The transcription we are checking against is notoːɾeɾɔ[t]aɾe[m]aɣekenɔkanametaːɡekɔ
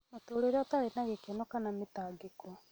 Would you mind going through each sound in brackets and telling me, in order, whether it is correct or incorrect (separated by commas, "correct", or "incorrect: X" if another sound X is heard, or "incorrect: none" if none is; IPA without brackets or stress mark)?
correct, incorrect: n